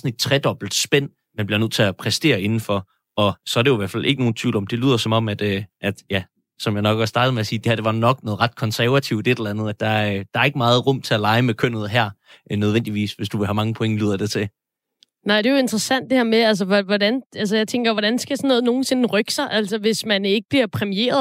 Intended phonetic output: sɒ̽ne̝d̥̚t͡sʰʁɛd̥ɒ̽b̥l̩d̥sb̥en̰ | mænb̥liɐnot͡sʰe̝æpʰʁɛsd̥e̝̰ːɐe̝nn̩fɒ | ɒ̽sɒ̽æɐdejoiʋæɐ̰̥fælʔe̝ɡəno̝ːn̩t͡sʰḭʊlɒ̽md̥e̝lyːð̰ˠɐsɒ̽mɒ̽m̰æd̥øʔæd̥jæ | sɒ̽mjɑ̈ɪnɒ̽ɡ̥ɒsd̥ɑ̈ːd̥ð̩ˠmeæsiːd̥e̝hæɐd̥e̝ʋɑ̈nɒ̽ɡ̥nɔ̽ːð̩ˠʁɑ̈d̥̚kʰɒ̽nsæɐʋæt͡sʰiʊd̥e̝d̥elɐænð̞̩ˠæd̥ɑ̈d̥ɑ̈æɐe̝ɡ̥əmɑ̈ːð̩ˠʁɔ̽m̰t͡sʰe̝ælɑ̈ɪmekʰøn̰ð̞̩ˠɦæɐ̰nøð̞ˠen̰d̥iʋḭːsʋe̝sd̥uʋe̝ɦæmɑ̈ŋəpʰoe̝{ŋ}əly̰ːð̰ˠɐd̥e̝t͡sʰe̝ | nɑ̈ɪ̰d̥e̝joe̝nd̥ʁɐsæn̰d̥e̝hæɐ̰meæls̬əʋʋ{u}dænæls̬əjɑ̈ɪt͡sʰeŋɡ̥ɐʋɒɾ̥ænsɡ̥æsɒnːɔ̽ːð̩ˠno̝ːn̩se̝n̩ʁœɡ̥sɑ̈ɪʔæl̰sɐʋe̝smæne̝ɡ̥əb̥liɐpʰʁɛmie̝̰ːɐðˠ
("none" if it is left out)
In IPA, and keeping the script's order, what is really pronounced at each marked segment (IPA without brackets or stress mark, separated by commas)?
ŋ, ɒ